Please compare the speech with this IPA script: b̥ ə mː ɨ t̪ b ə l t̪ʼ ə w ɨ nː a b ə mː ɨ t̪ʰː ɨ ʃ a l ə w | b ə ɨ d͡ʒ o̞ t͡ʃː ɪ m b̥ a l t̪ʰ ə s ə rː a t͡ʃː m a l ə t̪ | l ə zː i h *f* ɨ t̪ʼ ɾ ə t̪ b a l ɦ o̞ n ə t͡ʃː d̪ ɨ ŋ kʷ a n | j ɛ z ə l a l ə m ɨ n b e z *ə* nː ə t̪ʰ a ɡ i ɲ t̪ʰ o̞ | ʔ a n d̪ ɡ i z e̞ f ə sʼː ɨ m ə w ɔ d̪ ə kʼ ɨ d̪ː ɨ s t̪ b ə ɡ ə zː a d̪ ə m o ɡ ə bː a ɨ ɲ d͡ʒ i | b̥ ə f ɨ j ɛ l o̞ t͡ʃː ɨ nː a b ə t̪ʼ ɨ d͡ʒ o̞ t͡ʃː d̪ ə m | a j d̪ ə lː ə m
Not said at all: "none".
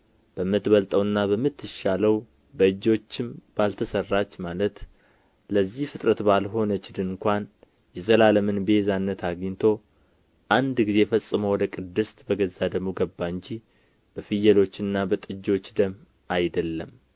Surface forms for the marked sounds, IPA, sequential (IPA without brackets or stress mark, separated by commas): f, a